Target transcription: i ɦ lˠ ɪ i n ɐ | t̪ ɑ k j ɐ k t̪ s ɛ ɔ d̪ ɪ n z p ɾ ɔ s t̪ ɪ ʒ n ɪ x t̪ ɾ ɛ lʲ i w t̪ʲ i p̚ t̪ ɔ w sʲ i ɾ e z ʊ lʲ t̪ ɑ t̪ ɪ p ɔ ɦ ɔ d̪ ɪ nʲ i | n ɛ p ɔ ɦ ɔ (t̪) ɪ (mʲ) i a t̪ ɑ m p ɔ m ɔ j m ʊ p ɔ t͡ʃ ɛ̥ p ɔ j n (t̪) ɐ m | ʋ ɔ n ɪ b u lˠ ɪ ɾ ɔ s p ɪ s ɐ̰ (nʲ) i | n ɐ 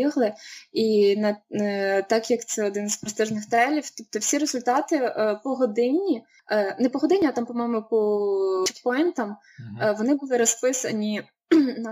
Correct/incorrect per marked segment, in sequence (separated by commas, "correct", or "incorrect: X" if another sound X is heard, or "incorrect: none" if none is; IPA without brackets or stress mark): incorrect: d̪, incorrect: nʲ, correct, correct